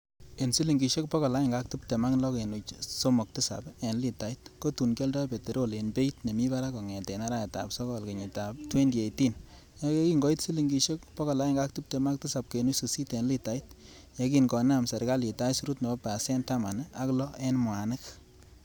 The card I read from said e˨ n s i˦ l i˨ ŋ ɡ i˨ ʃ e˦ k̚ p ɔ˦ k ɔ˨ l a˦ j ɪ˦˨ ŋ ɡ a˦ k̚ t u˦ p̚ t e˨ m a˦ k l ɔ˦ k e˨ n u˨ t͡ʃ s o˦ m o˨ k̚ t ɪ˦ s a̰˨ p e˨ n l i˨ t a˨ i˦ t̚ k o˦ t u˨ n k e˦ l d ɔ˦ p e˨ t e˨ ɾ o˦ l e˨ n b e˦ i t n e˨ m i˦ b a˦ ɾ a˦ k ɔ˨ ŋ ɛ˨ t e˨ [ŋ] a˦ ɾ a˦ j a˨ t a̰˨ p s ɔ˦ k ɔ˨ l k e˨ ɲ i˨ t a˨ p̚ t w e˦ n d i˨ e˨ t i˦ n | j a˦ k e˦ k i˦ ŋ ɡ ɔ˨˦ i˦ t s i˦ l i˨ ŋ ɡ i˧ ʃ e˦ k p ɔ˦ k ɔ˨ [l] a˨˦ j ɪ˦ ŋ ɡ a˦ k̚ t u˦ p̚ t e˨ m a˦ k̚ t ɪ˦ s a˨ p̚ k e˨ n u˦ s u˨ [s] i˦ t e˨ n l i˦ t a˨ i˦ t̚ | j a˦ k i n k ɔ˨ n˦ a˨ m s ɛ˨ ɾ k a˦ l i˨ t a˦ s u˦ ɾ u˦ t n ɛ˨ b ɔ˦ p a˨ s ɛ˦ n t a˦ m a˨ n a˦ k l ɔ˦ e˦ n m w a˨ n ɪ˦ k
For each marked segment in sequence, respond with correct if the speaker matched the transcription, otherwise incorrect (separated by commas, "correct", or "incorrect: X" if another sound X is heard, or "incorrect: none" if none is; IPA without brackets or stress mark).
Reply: incorrect: n, correct, correct